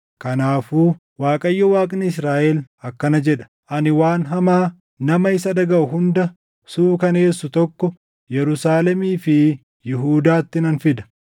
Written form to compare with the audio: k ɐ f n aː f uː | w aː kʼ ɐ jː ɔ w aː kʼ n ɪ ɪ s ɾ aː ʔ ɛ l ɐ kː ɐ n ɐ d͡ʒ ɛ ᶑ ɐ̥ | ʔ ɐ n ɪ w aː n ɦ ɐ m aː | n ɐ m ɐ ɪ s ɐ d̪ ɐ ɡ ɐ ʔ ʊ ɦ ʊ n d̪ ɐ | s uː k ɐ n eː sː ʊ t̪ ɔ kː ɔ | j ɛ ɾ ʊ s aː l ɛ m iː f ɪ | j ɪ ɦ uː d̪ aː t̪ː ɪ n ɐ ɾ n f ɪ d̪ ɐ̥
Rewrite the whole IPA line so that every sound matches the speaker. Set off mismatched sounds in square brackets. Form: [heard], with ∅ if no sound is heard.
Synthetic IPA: k ɐ [∅] n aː f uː | w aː kʼ ɐ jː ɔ w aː kʼ n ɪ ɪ s ɾ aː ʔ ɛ l ɐ kː ɐ n ɐ d͡ʒ ɛ ᶑ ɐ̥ | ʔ ɐ n ɪ w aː n ɦ ɐ m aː | n ɐ m ɐ ɪ s ɐ d̪ ɐ ɡ ɐ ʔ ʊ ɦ ʊ n d̪ ɐ | s uː k ɐ n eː sː ʊ t̪ ɔ kː ɔ | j ɛ ɾ ʊ s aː l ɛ m iː f ɪ | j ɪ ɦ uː d̪ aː t̪ː ɪ n ɐ [∅] n f ɪ d̪ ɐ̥